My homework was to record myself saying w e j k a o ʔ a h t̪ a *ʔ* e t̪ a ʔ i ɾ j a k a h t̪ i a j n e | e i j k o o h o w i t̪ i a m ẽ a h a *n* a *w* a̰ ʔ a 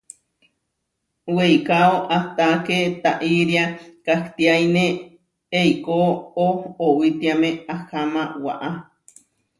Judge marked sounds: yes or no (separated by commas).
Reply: no, no, yes